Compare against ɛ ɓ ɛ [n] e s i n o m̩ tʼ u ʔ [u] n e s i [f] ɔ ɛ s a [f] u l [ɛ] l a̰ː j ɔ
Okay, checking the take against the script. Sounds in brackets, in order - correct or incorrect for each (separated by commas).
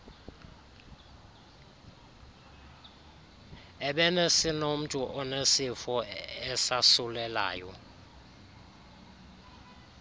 correct, incorrect, correct, incorrect, correct